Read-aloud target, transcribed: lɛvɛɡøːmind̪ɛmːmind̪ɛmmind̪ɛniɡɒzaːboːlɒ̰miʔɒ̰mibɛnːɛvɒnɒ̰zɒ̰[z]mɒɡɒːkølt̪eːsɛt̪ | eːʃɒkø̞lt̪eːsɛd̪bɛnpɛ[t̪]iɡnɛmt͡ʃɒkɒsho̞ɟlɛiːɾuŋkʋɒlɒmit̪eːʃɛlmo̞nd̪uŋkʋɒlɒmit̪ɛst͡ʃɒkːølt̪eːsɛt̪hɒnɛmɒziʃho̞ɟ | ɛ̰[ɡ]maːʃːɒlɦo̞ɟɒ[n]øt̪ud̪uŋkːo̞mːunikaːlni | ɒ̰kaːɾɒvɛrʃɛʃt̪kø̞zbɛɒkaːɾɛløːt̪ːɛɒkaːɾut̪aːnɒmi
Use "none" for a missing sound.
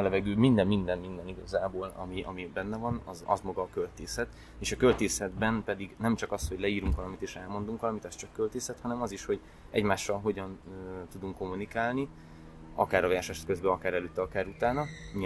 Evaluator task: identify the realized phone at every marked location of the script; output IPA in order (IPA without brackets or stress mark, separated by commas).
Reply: z, d̪, ɟ, n